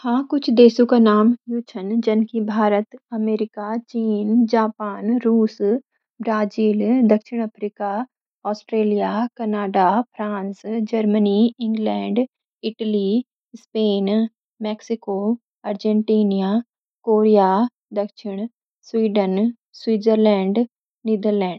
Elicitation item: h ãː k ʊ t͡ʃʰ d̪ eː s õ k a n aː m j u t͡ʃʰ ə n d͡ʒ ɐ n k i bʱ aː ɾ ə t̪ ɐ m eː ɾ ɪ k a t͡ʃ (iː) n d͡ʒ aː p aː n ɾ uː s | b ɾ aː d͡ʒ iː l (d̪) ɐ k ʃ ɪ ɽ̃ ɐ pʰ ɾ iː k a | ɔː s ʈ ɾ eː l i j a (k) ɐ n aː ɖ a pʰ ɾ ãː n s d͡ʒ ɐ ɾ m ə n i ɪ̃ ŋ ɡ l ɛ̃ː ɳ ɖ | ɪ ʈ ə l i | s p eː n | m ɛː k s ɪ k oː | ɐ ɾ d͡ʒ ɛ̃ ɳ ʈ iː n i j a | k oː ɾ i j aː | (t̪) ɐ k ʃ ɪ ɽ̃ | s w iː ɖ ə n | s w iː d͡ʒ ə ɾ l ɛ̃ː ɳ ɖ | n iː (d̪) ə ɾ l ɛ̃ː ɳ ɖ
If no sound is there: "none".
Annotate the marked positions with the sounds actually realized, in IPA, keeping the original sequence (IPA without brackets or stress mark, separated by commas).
iː, d̪, k, d̪, d̪